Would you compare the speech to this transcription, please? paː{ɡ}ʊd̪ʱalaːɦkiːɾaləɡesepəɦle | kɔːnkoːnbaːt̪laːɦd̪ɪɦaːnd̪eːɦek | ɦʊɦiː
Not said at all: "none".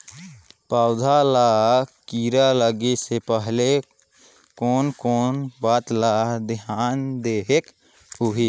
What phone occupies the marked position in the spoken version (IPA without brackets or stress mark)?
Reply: none